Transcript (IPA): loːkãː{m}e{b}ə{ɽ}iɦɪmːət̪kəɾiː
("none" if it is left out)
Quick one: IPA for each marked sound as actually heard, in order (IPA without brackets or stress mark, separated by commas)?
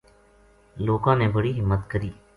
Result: n, b, ɽ